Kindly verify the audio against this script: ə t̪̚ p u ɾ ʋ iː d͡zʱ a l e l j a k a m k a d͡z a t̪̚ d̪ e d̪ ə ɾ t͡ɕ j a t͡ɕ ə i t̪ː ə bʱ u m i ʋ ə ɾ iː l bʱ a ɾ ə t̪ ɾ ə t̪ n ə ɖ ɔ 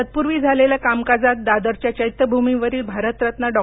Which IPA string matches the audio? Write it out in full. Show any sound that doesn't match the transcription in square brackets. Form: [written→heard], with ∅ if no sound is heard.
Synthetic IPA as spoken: ə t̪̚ p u ɾ ʋ iː d͡zʱ a l e l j a k a m k a d͡z a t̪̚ d̪ [e→a] d̪ ə ɾ t͡ɕ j a t͡ɕ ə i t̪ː ə bʱ u m i ʋ ə ɾ iː l bʱ a ɾ ə t̪ ɾ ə t̪ n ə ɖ ɔ